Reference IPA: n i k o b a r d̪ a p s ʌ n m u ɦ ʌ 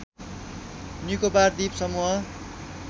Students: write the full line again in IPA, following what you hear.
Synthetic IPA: n i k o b a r d̪ i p s ʌ m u ɦ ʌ